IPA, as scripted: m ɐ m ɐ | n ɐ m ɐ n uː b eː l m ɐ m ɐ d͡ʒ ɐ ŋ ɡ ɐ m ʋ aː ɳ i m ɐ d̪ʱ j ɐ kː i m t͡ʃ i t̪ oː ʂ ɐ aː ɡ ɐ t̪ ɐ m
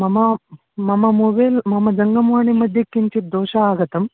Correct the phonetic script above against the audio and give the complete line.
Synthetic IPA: m ɐ m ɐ | m ɐ m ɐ m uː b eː l m ɐ m ɐ d͡ʒ ɐ ŋ ɡ ɐ m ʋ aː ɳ i m ɐ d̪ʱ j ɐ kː i ɲ t͡ʃ i d̪ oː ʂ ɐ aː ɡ ɐ t̪ ɐ m